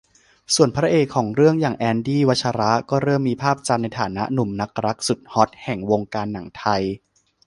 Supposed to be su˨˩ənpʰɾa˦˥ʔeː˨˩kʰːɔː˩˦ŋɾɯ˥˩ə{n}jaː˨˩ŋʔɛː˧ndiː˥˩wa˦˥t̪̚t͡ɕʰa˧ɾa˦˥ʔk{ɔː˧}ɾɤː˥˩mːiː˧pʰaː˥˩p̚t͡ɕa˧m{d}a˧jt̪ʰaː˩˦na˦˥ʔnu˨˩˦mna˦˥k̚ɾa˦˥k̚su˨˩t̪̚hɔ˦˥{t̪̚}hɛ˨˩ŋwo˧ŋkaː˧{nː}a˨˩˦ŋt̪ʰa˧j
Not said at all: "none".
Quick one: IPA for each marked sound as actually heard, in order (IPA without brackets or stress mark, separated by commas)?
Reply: ŋ, ɔː˥˩, n, t̪̚, nː